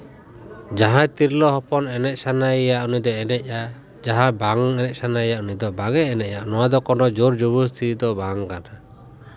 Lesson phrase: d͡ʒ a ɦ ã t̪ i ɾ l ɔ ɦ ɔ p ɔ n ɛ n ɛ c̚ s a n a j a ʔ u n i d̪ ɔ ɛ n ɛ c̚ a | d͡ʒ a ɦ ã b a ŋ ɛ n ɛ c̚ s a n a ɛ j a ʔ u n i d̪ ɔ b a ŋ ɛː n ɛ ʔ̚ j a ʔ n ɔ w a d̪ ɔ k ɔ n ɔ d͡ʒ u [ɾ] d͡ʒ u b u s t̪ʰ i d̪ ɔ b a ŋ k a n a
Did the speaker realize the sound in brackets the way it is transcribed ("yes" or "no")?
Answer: yes